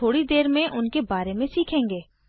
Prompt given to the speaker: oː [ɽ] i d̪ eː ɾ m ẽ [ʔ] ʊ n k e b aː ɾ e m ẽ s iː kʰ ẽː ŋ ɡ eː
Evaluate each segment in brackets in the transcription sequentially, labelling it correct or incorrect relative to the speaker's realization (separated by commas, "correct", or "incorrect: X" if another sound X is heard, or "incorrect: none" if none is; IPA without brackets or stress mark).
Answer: correct, correct